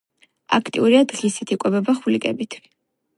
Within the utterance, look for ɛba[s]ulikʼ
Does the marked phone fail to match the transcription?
yes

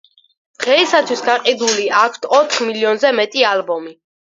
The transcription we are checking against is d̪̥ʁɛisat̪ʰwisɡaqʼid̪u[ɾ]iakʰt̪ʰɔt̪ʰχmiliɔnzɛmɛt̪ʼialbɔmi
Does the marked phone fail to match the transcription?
yes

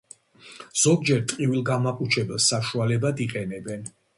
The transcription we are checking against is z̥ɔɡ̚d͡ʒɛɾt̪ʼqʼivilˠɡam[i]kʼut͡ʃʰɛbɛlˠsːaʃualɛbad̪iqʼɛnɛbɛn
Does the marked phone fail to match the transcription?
yes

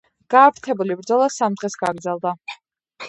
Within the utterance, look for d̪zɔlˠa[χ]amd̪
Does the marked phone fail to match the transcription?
yes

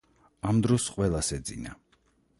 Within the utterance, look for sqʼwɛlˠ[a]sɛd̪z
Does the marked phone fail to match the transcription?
no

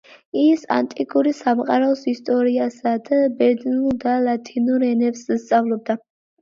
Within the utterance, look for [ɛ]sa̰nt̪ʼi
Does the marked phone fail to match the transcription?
yes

